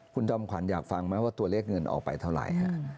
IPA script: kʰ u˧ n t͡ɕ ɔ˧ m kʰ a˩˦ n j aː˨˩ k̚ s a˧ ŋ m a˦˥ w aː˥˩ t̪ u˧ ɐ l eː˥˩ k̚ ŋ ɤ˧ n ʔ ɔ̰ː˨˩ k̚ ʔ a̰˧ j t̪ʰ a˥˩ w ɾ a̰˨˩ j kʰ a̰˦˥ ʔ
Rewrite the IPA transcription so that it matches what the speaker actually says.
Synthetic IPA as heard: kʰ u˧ n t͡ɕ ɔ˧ m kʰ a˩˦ n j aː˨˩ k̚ f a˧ ŋ m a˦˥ w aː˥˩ t̪ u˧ ɐ l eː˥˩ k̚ ŋ ɤ˧ n ʔ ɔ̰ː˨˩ k̚ p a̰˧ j t̪ʰ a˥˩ w ɾ a̰˨˩ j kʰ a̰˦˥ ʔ